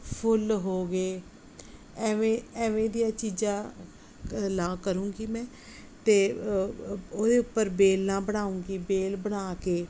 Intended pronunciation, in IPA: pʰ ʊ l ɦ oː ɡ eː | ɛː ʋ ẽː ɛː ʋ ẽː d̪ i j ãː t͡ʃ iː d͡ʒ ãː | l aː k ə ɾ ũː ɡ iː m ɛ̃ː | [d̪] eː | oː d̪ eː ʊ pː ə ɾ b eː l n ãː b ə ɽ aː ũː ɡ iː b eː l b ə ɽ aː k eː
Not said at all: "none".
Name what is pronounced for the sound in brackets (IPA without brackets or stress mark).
t̪